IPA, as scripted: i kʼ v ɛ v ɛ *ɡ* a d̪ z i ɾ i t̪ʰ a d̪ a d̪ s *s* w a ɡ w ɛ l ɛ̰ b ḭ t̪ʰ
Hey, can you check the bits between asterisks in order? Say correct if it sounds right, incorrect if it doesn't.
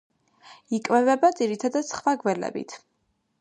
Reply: incorrect, incorrect

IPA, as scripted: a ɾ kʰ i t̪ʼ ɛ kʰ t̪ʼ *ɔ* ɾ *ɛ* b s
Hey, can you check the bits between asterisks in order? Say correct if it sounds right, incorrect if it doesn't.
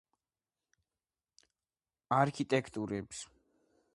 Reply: incorrect, correct

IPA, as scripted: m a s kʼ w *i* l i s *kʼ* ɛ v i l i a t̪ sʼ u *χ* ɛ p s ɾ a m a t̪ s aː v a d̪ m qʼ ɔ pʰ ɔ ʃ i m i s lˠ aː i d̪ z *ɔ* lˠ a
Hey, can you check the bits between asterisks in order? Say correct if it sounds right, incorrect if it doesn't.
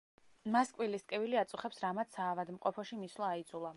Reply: correct, correct, correct, incorrect

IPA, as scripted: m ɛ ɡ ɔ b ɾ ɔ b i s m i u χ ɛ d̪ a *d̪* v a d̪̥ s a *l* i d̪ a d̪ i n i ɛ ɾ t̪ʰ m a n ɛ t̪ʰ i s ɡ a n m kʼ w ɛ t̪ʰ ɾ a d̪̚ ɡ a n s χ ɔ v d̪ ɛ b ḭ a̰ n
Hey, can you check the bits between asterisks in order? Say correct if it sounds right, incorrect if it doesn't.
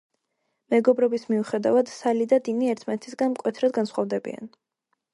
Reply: incorrect, correct

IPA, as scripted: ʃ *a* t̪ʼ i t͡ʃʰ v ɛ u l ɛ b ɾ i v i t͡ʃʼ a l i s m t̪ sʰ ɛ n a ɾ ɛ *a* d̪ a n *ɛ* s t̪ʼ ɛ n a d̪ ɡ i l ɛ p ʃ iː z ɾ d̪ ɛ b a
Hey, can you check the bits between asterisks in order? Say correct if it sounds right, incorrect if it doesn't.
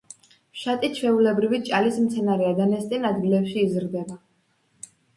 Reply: correct, correct, correct

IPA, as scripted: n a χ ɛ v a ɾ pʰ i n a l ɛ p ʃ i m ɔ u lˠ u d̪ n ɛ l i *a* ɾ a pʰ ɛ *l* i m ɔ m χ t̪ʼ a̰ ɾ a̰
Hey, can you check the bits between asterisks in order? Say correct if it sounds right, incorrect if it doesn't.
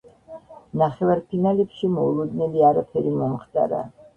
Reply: correct, incorrect

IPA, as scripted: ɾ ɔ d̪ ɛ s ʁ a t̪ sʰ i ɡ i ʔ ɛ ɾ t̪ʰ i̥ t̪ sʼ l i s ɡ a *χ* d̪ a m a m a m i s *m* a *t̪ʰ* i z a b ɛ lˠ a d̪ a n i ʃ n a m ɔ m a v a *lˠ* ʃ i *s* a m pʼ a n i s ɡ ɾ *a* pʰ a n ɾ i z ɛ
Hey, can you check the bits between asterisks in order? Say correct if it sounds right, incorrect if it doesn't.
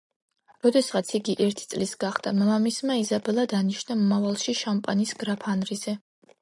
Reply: correct, correct, incorrect, correct, incorrect, correct

